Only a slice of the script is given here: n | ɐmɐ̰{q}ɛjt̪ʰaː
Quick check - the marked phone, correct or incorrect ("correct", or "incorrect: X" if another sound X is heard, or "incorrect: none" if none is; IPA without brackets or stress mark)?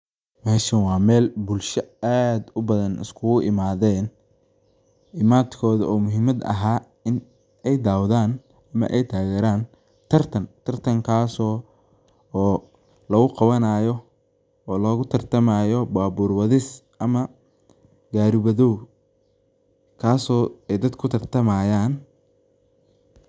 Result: incorrect: ʔ